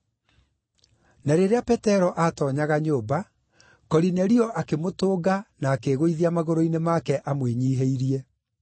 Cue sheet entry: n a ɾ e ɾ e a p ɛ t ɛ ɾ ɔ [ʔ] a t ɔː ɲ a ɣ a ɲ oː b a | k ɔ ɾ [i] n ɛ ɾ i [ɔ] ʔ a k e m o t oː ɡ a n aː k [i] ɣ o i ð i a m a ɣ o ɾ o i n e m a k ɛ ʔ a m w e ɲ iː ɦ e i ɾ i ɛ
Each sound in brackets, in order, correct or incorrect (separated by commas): correct, correct, correct, incorrect